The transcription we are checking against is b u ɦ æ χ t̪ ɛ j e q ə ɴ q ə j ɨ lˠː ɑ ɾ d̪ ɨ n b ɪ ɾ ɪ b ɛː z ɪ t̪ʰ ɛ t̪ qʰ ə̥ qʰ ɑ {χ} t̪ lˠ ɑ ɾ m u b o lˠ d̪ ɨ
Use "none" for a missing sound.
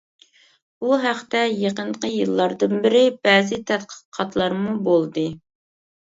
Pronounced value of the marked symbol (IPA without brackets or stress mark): none